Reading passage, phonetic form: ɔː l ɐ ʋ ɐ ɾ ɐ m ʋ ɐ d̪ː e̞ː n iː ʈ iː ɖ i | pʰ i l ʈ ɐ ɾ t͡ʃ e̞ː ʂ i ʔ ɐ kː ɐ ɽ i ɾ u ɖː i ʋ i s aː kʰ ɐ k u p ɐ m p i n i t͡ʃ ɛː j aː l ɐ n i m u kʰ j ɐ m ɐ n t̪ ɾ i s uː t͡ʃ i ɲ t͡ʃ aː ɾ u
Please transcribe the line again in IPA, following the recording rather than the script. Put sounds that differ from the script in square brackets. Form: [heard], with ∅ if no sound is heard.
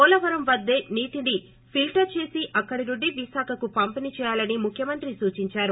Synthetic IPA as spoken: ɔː l ɐ ʋ ɐ ɾ ɐ m ʋ ɐ d̪ː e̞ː n iː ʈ [i] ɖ i | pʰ i l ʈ ɐ ɾ t͡ʃ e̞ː [s] i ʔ ɐ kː ɐ ɽ i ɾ u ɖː i ʋ i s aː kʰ ɐ k u p ɐ m p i n i t͡ʃ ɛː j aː l ɐ n i m u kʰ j ɐ m ɐ n t̪ ɾ i s uː t͡ʃ i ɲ t͡ʃ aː ɾ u